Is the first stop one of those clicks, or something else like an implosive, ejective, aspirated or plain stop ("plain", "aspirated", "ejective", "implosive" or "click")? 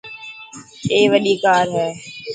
implosive